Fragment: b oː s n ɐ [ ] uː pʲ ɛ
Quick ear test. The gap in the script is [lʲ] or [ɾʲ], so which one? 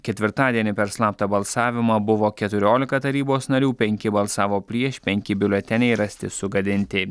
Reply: ɾʲ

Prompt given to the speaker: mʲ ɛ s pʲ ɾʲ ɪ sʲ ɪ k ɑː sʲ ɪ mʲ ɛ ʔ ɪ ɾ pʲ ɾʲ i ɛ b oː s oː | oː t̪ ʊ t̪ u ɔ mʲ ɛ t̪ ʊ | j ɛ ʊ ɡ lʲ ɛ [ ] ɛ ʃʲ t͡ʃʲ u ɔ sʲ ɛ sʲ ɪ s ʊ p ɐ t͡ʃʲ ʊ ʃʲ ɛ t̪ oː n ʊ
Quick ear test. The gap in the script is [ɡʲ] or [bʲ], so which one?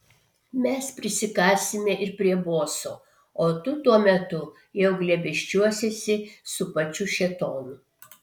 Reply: bʲ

